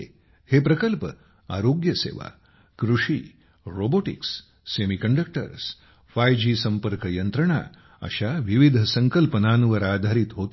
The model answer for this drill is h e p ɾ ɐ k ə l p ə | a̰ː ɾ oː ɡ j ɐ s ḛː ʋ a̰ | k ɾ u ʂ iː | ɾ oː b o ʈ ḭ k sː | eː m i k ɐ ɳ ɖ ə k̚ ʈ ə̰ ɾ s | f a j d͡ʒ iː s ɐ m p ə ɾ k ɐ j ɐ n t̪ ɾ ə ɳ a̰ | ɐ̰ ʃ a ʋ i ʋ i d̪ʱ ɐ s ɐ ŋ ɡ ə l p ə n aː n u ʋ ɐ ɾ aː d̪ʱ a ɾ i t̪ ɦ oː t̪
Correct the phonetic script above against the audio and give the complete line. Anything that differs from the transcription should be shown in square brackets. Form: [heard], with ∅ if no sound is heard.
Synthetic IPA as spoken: h e p ɾ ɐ k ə l p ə | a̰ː ɾ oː ɡ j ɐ s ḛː ʋ a̰ | k ɾ u ʂ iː | ɾ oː b o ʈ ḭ k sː | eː m i k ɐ ɳ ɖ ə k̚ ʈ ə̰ ɾ s | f a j d͡ʒ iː s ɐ m p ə ɾ k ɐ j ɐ n t̪ ɾ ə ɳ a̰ | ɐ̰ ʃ a ʋ i ʋ i d̪ʱ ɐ s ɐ ŋ [k] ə l p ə n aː n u ʋ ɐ ɾ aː d̪ʱ a ɾ i t̪ ɦ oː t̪